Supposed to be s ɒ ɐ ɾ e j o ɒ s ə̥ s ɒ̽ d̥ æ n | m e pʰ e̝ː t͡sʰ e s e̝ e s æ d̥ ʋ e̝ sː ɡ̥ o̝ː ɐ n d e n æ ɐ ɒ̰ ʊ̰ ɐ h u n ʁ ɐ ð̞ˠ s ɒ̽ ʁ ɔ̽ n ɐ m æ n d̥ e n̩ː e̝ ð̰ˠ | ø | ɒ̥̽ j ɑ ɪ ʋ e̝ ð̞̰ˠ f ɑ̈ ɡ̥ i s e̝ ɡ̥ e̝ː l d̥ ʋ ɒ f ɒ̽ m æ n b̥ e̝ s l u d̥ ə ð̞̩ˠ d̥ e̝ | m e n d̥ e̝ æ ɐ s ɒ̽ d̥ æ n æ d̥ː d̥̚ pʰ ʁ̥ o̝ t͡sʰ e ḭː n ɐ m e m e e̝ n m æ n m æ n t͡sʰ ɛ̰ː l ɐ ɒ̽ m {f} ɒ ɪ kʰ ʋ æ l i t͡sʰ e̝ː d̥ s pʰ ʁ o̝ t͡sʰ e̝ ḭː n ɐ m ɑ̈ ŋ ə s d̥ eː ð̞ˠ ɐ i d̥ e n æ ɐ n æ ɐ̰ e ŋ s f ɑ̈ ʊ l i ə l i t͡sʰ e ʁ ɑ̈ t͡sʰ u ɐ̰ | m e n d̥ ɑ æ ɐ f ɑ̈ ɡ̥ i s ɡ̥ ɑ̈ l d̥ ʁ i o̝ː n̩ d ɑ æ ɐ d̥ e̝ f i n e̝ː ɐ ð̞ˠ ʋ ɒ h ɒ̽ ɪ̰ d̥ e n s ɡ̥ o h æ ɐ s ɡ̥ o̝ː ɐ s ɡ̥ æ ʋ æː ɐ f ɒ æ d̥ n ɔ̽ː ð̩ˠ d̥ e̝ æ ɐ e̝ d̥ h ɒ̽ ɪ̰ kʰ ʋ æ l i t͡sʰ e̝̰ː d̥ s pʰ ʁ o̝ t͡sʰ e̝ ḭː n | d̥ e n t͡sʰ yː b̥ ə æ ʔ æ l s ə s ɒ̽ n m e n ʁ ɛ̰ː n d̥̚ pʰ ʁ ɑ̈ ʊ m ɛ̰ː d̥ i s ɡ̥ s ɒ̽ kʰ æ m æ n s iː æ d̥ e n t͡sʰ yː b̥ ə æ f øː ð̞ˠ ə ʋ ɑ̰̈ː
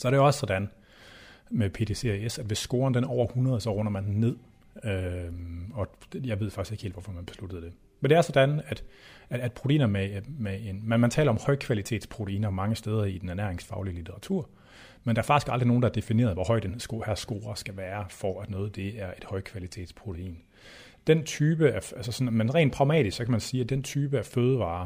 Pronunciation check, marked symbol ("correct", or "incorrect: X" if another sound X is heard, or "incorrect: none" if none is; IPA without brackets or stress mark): incorrect: h